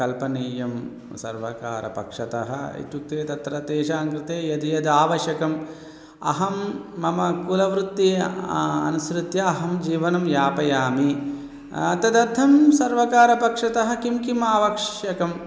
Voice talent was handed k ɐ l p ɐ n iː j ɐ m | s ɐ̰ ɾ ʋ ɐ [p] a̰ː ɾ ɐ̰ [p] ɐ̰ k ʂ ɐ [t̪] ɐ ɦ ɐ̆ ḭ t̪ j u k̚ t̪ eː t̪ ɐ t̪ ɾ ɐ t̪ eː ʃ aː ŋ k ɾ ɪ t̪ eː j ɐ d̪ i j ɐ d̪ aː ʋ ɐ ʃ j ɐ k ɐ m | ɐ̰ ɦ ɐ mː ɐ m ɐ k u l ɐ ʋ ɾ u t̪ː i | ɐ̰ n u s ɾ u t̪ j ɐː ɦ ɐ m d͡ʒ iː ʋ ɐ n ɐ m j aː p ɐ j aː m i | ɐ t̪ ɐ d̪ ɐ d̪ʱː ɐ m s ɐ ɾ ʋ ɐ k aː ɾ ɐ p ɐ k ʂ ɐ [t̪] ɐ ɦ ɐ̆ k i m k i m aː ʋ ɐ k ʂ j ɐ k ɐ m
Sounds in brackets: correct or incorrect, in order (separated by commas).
incorrect, correct, correct, correct